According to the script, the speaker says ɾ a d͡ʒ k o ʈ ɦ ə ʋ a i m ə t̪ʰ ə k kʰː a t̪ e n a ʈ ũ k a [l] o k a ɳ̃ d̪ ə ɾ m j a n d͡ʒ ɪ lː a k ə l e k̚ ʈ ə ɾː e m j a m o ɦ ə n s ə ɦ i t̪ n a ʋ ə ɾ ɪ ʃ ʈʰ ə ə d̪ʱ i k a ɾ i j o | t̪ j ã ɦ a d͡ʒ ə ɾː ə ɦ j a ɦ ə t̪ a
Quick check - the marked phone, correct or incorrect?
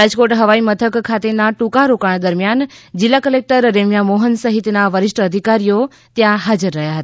incorrect